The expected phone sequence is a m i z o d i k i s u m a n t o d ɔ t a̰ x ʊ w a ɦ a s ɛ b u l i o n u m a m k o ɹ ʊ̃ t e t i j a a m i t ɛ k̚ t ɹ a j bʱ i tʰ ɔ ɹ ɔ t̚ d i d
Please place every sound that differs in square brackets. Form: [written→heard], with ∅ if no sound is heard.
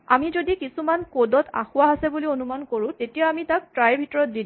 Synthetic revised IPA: a m i z o d i k i s u m a n [t→k] o d ɔ t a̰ x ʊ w a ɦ a s ɛ b u l i o n u m a [m→n] k o ɹ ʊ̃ t e t i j a a m i t [ɛ→a] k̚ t ɹ a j bʱ i [tʰ→t] ɔ ɹ ɔ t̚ d i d